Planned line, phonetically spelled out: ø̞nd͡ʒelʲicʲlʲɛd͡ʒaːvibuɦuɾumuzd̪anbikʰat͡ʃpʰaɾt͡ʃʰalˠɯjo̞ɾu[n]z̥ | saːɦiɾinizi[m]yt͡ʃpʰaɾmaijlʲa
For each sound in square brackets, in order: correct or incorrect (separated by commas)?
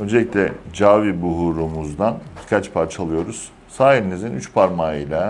incorrect, incorrect